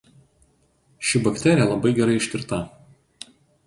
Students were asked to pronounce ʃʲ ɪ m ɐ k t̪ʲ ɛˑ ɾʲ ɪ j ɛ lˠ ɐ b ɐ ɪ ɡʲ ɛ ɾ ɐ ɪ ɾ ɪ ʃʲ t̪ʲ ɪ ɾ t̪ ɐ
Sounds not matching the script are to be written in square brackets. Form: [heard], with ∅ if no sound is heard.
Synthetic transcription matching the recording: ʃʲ ɪ [b] ɐ k t̪ʲ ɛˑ ɾʲ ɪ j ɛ lˠ ɐ b ɐ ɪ ɡʲ ɛ ɾ ɐ ɪ [∅] ɪ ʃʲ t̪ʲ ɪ ɾ t̪ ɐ